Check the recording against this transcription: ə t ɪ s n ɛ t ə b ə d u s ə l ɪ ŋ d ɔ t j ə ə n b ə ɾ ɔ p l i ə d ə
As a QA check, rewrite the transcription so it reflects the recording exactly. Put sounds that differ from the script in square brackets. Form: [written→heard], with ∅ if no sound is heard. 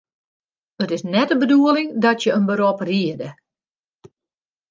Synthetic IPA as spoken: ə t ɪ s n ɛ t ə b ə d u [s→∅] ə l ɪ ŋ d ɔ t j ə ə n b ə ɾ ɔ p [l→r] i ə d ə